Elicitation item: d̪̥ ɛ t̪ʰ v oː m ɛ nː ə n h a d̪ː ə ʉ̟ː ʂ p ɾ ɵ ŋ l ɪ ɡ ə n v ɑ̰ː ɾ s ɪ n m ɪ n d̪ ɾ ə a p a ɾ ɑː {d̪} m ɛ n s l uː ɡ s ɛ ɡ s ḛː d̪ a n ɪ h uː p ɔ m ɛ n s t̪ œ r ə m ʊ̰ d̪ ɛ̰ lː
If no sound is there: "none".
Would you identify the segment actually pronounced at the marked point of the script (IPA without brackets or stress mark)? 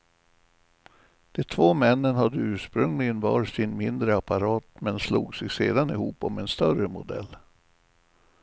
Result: t̪